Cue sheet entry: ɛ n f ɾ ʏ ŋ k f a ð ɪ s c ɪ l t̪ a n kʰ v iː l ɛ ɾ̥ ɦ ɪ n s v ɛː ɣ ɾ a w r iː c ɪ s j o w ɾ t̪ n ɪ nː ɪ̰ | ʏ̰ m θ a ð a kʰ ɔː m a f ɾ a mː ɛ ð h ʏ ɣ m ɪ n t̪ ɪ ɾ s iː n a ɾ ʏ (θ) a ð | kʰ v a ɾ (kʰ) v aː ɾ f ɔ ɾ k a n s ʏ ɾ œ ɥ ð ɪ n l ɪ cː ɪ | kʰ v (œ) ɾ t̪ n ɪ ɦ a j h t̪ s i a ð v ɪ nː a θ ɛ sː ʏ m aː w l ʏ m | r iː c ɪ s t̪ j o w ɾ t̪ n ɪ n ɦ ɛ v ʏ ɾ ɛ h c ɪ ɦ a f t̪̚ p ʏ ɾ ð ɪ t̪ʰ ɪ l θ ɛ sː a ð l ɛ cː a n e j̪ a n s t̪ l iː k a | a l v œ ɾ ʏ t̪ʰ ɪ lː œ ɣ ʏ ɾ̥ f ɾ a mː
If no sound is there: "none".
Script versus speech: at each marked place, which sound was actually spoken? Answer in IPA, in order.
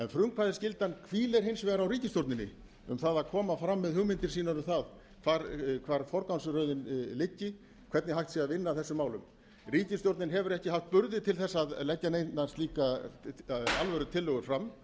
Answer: θ, kʰ, ɛ

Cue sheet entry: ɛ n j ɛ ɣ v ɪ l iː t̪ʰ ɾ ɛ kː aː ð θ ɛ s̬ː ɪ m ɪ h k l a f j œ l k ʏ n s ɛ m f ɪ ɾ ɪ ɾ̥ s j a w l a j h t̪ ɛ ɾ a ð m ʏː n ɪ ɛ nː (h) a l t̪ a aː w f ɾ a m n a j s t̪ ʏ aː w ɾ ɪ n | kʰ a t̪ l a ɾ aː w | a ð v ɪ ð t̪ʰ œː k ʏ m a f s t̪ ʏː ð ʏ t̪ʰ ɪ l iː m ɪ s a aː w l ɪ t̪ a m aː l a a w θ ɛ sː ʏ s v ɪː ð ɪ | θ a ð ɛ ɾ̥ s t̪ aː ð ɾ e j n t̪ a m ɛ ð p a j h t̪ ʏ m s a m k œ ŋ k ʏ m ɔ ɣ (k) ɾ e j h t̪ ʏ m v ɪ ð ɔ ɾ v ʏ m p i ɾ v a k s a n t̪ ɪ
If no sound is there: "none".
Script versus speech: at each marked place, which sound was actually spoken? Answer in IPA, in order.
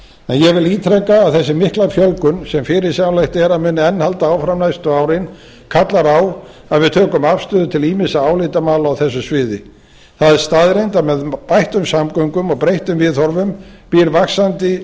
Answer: h, p

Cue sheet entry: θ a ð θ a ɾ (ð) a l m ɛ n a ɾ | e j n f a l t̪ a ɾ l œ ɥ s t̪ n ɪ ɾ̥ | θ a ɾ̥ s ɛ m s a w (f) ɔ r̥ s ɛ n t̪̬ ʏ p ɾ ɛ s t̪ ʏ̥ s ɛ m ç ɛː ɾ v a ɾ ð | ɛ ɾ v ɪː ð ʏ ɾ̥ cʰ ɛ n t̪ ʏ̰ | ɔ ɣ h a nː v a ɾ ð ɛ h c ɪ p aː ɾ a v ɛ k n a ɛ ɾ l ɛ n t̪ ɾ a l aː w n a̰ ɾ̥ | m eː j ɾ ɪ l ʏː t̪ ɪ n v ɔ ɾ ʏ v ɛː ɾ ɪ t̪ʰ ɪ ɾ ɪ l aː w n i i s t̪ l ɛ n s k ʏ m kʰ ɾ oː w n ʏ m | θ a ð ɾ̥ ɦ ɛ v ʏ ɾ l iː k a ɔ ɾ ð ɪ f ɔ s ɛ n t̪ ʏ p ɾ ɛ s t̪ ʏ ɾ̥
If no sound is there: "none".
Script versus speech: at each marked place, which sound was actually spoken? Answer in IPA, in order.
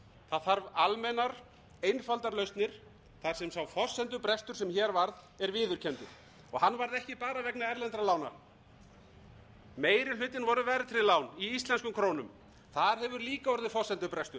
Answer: v, f

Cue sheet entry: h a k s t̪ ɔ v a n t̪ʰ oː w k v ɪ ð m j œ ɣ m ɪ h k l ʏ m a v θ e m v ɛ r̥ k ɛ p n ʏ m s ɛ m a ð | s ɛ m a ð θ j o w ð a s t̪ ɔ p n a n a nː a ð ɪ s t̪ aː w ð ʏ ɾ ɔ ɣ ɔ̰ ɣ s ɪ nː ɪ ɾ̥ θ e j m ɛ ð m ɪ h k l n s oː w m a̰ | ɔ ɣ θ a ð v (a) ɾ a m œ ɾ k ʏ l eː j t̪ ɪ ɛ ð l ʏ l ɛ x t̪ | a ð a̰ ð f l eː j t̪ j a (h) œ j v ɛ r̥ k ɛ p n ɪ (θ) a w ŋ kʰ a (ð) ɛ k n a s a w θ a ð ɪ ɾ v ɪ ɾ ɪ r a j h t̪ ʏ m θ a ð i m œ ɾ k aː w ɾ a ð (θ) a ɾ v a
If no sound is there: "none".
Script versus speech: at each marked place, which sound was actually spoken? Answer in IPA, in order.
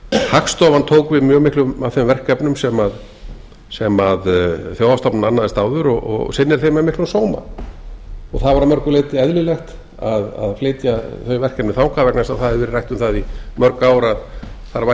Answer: a, θ, θ, v, θ

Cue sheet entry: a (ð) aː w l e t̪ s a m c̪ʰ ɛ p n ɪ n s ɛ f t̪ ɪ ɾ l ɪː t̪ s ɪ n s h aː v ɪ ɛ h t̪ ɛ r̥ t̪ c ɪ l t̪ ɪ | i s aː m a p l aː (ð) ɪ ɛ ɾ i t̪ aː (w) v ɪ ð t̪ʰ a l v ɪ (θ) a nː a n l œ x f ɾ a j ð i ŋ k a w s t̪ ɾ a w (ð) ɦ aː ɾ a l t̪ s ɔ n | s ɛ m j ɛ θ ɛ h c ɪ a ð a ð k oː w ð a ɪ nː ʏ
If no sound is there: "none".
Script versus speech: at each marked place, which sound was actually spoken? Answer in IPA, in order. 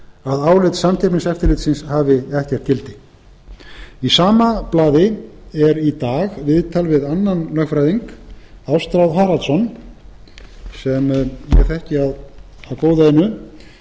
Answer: ð, ð, ɣ, ð, ð

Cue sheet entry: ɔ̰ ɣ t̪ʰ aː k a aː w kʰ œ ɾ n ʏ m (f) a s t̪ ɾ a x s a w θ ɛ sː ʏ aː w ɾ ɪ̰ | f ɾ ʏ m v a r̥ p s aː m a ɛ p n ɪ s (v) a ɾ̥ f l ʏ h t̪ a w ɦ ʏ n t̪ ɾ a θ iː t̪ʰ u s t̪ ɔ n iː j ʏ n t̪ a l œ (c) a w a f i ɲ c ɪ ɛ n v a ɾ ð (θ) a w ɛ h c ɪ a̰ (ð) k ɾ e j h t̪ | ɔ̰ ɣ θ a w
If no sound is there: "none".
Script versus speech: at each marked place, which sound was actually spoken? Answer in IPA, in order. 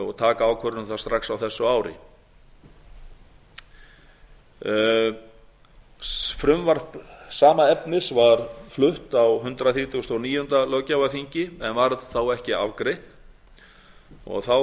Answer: θ, v, c, θ, v

